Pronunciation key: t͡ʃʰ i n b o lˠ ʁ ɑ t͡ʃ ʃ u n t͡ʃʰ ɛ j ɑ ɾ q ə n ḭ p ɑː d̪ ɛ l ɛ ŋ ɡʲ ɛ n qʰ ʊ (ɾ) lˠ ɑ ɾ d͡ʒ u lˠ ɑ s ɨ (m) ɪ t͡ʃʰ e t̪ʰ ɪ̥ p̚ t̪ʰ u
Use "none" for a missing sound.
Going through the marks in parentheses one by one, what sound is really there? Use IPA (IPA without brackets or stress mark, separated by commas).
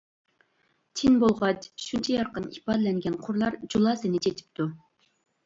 ɾ, n